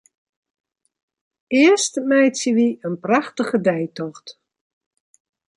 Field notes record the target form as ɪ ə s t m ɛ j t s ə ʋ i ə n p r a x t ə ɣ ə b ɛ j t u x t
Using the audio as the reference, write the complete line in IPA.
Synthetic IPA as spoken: ɪ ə s t m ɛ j t s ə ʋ i ə n p r a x t ə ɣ ə d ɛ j t ɔ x t